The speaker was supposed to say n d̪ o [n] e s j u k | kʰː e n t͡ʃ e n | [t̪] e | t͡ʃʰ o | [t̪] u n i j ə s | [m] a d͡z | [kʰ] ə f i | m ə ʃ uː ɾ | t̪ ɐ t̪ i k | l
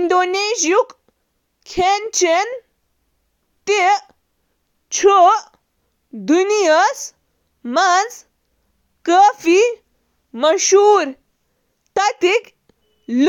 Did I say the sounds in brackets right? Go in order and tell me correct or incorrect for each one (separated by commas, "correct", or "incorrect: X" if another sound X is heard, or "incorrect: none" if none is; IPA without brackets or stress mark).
correct, correct, incorrect: d̪, correct, incorrect: k